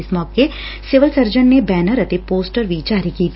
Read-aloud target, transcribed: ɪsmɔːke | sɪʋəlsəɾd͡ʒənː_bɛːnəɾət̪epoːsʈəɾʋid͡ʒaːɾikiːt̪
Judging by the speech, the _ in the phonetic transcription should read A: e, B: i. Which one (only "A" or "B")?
A